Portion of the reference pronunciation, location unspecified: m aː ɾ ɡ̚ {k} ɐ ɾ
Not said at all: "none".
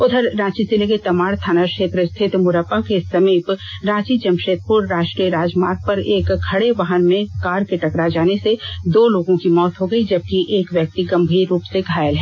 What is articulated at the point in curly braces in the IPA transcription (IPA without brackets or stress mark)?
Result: p